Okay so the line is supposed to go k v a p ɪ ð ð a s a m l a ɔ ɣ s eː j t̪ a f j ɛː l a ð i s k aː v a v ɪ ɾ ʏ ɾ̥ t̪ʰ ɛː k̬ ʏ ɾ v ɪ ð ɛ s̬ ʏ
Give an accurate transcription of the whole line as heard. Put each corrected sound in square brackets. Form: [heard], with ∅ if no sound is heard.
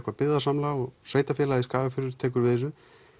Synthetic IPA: k v a p ɪ ð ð a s a m l a ɔ ɣ s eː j t̪ a f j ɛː l a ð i s k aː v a [f] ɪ ɾ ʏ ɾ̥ t̪ʰ ɛː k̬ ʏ ɾ v ɪ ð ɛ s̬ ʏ